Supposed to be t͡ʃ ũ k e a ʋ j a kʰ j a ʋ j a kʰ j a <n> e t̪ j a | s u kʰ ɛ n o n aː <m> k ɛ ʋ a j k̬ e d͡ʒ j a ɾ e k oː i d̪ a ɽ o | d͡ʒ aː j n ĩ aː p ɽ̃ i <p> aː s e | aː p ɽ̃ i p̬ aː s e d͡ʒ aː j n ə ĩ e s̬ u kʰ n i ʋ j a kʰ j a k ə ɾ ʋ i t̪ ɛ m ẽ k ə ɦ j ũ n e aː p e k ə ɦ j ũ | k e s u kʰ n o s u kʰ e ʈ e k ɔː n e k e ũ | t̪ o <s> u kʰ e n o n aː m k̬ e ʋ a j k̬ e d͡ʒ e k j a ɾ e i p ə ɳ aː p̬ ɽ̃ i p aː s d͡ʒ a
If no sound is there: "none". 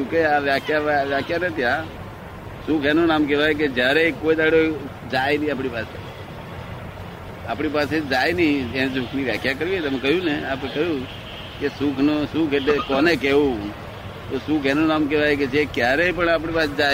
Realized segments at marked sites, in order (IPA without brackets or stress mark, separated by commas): n, m, p, s